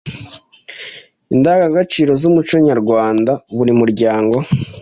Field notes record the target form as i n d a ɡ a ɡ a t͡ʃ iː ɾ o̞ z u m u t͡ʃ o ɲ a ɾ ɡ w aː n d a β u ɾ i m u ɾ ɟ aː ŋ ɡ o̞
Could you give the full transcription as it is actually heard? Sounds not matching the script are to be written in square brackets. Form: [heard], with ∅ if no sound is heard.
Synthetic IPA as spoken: i n d a ɡ a ɡ a t͡ʃ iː ɾ o̞ z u m u t͡ʃ o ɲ a ɾ ɡ w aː n d a β u ɾ i m u ɾ ɟ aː ŋ ɡ o̞